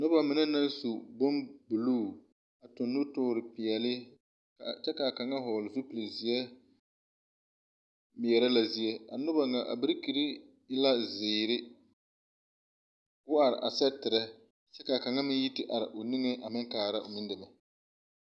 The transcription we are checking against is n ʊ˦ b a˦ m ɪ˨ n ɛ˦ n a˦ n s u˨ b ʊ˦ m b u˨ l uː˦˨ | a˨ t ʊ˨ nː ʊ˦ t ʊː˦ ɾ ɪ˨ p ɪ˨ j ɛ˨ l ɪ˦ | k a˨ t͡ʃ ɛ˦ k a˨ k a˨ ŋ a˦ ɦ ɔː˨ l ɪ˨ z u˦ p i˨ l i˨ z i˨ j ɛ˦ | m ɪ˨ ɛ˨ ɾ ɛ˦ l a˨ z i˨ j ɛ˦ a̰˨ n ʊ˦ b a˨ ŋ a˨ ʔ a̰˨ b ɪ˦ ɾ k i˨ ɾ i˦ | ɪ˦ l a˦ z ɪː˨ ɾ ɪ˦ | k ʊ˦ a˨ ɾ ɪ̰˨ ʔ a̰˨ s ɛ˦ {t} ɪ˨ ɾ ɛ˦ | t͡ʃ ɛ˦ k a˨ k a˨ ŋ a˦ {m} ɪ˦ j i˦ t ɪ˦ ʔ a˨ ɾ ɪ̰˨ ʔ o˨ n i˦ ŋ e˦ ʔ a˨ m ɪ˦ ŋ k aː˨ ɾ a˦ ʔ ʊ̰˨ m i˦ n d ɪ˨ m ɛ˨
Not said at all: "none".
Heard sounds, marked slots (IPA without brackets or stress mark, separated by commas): t, m